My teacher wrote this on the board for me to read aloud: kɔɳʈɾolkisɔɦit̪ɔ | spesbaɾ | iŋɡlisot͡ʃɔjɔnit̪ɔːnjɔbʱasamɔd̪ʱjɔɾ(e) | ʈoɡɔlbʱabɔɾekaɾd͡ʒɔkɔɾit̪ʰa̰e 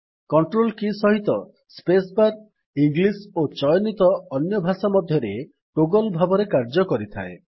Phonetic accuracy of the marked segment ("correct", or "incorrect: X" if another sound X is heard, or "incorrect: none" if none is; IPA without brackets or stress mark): correct